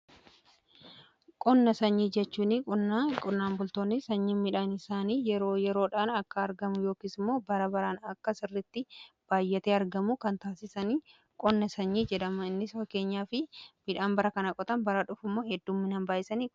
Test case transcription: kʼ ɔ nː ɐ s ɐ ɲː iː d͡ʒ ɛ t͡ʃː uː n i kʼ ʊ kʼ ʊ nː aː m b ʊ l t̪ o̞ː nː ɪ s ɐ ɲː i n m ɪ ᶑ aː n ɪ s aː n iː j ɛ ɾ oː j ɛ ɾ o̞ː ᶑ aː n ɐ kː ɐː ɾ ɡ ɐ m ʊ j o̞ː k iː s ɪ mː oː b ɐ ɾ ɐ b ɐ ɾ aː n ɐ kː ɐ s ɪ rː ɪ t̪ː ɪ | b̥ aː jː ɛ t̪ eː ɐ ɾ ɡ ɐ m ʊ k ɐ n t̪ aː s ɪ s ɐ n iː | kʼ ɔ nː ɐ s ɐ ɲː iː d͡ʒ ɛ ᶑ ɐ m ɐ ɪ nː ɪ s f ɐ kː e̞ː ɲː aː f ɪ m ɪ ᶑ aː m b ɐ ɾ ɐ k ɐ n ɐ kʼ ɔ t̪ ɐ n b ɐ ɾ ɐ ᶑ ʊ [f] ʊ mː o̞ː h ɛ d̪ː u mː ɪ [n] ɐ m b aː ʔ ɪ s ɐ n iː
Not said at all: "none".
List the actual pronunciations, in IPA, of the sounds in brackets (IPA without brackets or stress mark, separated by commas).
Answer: f, n